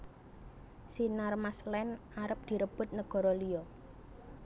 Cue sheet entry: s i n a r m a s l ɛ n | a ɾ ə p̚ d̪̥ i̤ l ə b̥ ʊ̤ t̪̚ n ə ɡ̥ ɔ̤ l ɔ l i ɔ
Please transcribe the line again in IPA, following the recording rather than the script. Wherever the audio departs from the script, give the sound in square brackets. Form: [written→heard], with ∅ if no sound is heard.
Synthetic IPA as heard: s i n a r m a s l ɛ n | a ɾ ə p̚ d̪̥ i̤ [l→ɾ] ə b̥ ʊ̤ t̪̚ n ə ɡ̥ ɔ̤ [l→ɾ] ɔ l i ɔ